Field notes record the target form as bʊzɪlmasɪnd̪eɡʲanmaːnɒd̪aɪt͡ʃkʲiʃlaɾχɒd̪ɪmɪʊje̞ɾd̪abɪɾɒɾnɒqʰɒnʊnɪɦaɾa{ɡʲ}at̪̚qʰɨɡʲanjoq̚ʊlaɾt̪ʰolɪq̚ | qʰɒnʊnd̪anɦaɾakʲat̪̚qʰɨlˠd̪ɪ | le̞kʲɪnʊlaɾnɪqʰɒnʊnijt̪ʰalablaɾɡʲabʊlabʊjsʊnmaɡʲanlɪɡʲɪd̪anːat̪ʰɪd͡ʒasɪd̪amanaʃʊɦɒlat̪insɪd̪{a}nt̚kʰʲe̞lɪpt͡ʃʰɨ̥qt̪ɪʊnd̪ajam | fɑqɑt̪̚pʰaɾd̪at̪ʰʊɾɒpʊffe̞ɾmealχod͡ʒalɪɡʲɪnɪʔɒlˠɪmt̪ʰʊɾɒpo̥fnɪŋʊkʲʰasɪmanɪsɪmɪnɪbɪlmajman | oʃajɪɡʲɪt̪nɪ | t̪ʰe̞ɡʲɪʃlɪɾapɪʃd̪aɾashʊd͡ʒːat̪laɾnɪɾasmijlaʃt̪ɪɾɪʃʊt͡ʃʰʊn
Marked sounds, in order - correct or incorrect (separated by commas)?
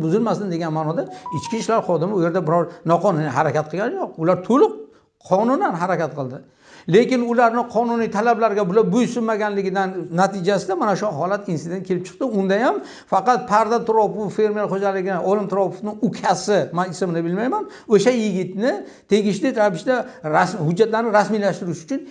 incorrect, incorrect